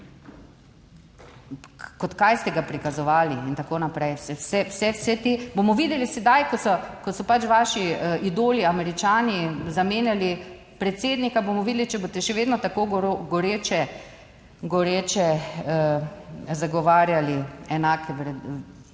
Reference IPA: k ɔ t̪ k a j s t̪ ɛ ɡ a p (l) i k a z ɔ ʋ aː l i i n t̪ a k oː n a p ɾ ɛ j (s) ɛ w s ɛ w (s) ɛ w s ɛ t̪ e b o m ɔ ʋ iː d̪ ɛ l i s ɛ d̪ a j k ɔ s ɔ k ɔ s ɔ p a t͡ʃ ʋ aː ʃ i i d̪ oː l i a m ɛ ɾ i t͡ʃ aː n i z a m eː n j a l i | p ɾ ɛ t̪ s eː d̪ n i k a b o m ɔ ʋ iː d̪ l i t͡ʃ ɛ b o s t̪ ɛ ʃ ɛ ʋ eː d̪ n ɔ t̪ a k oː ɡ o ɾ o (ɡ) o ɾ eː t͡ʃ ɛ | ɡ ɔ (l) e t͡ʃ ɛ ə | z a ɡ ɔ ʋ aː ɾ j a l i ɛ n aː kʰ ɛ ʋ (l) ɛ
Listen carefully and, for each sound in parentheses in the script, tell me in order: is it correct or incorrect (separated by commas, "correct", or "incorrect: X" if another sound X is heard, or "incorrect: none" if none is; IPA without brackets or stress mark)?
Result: incorrect: ɾ, correct, correct, correct, incorrect: ɾ, incorrect: ɾ